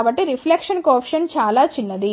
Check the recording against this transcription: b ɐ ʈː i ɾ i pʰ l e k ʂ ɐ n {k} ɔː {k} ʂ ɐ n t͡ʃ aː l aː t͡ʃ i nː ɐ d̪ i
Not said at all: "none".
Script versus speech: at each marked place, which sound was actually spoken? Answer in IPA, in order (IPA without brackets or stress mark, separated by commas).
k, p